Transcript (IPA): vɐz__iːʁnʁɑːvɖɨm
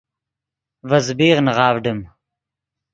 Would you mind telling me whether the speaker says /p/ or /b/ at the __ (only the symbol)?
b